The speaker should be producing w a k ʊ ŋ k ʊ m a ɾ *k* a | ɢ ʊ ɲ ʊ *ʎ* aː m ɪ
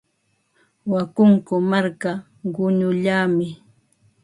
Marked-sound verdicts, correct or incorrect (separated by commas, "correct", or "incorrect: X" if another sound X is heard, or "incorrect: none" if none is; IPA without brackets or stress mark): correct, correct